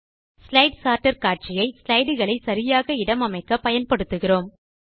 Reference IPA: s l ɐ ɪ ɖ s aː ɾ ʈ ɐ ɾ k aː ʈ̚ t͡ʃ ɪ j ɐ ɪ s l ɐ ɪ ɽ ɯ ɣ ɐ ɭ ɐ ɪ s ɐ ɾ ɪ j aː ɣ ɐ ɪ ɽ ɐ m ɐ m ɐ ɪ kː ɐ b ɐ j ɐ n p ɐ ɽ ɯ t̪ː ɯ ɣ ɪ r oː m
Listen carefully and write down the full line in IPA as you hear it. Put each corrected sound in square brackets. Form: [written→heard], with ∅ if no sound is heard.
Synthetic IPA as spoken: s l ɐ ɪ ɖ s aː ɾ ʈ ɐ ɾ k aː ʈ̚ t͡ʃ ɪ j ɐ ɪ s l ɐ ɪ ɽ ɯ ɣ ɐ ɭ ɐ ɪ s ɐ ɾ ɪ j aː ɣ ɐ ɪ ɽ ɐ m ɐ m ɐ ɪ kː ɐ [b→p] ɐ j ɐ n p ɐ ɽ ɯ t̪ː ɯ ɣ ɪ r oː m

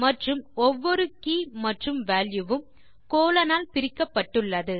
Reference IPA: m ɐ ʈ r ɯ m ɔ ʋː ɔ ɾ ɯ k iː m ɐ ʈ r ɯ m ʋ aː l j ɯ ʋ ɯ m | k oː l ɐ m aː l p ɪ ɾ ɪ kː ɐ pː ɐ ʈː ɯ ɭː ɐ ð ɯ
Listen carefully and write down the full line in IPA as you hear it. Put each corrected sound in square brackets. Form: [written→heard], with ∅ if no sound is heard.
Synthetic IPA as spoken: m ɐ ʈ r ɯ m ɔ ʋː ɔ ɾ ɯ k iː m ɐ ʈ r ɯ m ʋ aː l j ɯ ʋ ɯ m | k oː l ɐ [m→n] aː l p ɪ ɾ ɪ kː ɐ pː ɐ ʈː ɯ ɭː ɐ ð ɯ

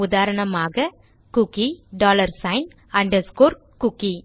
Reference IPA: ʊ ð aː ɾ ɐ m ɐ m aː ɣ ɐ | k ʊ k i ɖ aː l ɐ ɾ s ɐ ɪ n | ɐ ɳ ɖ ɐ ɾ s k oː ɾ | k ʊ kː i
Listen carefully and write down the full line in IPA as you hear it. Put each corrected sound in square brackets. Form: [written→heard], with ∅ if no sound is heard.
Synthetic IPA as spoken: ʊ ð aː ɾ ɐ [m→ɳ] ɐ m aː ɣ ɐ | k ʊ k i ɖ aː l ɐ ɾ s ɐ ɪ n | ɐ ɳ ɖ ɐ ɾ s k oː ɾ | k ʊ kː i

